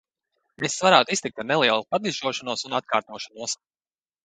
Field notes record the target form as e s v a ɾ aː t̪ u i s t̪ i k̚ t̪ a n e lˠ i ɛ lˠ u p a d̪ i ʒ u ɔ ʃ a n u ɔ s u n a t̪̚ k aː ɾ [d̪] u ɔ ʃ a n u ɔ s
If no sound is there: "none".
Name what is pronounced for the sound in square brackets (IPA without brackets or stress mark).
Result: t̪